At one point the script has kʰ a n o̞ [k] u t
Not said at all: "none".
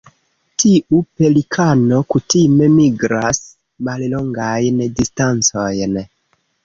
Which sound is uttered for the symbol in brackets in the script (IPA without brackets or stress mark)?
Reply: k